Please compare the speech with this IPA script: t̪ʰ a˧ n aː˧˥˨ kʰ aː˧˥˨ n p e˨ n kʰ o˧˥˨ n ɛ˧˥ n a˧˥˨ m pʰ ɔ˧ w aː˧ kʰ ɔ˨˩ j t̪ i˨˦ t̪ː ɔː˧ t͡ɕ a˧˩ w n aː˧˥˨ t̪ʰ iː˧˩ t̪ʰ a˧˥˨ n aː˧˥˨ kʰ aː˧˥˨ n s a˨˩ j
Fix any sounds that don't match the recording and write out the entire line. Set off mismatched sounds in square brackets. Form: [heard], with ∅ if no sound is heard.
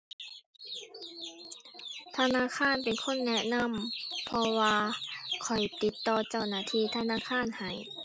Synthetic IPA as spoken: t̪ʰ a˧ n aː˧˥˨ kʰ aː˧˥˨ n p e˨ n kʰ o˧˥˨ [nː] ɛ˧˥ n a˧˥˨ m pʰ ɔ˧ w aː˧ kʰ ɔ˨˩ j t̪ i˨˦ t̪ː ɔː˧ t͡ɕ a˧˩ w n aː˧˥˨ t̪ʰ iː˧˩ t̪ʰ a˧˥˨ n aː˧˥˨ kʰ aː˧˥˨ n [h] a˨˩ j